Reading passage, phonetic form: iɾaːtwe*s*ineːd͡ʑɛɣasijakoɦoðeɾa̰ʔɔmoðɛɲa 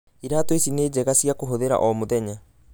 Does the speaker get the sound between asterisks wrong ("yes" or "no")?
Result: no